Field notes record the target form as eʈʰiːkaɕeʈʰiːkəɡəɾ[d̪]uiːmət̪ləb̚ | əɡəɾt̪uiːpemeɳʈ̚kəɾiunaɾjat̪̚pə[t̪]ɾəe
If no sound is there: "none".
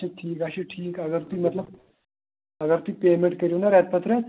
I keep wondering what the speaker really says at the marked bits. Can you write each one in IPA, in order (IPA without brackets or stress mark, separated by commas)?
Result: t̪, t̪